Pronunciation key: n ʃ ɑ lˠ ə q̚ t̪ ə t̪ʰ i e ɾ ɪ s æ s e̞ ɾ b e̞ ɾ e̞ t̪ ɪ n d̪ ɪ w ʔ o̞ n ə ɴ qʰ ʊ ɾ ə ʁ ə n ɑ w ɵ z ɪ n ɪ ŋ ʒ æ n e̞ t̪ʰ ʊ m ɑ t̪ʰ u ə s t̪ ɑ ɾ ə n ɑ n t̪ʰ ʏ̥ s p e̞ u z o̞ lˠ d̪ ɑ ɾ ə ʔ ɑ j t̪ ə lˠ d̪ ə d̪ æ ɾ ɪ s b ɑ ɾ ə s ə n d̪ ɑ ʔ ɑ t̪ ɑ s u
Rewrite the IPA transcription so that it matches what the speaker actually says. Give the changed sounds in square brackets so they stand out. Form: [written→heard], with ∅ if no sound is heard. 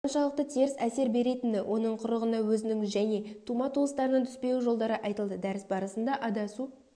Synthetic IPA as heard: n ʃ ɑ lˠ ə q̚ t̪ ə t̪ʰ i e ɾ ɪ s æ s e̞ ɾ b e̞ ɾ e̞ t̪ ɪ n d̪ ɪ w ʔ o̞ n ə ɴ qʰ ʊ ɾ ə ʁ ə n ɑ w ɵ z ɪ n ɪ ŋ ʒ æ n e̞ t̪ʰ [ʊ→u] m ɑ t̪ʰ u ə s t̪ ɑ ɾ ə n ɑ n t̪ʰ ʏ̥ s p e̞ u [z→ʒ] o̞ lˠ d̪ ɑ ɾ ə ʔ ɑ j t̪ ə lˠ d̪ ə d̪ æ ɾ ɪ s b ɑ ɾ ə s ə n d̪ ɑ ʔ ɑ [t̪→d̪] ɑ s u